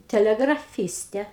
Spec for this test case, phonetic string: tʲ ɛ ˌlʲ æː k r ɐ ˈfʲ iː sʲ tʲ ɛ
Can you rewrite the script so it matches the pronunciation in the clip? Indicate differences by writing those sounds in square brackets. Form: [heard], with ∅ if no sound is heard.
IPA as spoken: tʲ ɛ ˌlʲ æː [ɡ] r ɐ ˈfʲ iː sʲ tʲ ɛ